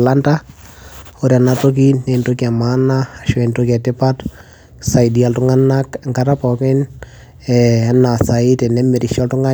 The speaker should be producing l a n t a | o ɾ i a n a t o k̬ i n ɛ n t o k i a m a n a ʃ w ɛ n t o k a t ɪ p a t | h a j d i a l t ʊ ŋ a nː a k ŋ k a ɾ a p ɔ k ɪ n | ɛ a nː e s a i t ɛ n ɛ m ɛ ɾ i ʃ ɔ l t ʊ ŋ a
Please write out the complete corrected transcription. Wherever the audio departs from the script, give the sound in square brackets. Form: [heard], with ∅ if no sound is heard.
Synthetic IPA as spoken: l a n t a | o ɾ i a n a t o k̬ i n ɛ n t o k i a m a n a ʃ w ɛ n t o k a t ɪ p a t | [s] a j d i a l t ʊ ŋ a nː a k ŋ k a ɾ a p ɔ k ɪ n | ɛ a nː [a] s a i t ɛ n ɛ m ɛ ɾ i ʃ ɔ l t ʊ ŋ a